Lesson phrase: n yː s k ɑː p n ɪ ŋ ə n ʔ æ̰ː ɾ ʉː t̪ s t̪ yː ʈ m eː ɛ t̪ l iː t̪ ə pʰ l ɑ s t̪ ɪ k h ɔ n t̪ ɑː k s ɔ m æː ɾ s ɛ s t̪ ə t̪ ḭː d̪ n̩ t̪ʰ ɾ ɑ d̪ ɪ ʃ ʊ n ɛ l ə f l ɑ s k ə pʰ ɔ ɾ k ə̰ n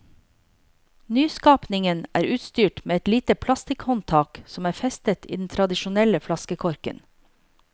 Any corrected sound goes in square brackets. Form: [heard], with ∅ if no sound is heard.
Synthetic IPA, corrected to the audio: n yː s k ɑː p n ɪ ŋ ə n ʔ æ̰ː ɾ ʉː t̪ s t̪ yː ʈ m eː ɛ t̪ l iː t̪ ə pʰ l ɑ s t̪ ɪ k h ɔ n [t̪ʰ] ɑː k s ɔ m æː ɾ [f] ɛ s t̪ ə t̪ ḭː d̪ n̩ t̪ʰ ɾ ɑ d̪ ɪ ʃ ʊ n ɛ l ə f l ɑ s k ə [kʰ] ɔ ɾ k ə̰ n